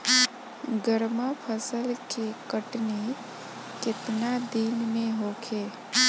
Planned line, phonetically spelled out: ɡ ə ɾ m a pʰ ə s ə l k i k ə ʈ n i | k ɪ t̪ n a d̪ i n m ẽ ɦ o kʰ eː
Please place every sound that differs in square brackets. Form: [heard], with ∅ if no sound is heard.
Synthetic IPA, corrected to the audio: ɡ ə ɾ m a pʰ ə s ə l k [e] k ə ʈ n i | k ɪ t̪ n a d̪ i n m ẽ ɦ o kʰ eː